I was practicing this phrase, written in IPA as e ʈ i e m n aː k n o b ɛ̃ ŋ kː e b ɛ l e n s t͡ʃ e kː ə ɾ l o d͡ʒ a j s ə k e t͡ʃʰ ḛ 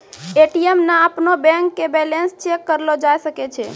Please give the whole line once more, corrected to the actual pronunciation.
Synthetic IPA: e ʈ i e m n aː p n o b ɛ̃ ŋ kː e b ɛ l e n s t͡ʃ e kː ə ɾ l o d͡ʒ a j s ə k e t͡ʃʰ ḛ